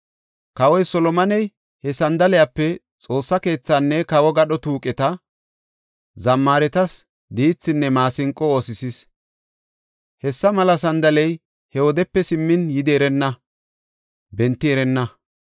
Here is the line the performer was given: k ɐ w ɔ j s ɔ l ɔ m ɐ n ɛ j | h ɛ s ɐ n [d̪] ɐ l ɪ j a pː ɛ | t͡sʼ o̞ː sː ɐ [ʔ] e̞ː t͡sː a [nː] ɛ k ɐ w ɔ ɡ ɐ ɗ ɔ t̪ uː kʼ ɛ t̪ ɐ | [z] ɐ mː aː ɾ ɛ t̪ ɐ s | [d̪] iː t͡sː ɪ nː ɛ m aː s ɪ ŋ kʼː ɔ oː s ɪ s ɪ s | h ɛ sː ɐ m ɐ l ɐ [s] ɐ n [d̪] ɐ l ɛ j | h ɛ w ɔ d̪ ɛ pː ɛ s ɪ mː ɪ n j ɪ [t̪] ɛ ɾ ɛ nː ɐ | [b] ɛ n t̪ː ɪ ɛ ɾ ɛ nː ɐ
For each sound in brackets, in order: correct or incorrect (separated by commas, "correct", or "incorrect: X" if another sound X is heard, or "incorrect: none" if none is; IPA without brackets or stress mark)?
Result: correct, incorrect: k, correct, correct, correct, correct, correct, incorrect: d̪, correct